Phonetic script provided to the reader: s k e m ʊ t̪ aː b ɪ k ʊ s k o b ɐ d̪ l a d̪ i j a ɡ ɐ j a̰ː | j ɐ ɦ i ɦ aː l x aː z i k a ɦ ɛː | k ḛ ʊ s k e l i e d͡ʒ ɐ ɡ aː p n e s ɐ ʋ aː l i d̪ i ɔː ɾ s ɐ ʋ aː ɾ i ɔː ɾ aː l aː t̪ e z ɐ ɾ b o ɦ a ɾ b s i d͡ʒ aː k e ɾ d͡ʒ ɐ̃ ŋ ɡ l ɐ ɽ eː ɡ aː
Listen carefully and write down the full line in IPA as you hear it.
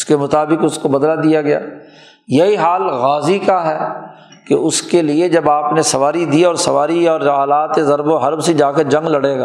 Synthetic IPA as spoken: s k e m ʊ t̪ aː b ɪ k ʊ s k o b ɐ d̪ l a d̪ i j a ɡ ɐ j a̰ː | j ɐ ɦ i ɦ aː l ɣ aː z i k a ɦ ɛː | k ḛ ʊ s k e l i e d͡ʒ ɐ b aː p n e s ɐ ʋ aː ɾ i d̪ i ɔː ɾ s ɐ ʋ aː ɾ i ɔː ɾ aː l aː t̪ e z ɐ ɾ b o ɦ ɐ ɾ b s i d͡ʒ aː k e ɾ d͡ʒ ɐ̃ ŋ ɡ l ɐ ɽ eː ɡ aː